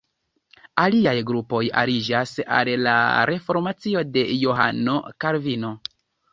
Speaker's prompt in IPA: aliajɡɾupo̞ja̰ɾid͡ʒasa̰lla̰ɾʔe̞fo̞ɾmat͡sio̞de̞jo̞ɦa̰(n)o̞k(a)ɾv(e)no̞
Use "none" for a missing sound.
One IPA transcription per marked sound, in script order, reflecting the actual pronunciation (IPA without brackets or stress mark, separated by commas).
n, a, i